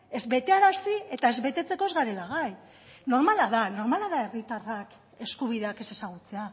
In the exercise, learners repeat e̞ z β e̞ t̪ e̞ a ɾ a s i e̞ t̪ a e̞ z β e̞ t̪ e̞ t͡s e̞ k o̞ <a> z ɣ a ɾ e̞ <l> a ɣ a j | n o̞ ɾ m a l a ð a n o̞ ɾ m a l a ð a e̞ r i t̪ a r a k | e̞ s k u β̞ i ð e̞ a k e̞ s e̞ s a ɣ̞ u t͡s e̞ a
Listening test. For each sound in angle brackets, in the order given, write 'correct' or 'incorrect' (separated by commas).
incorrect, correct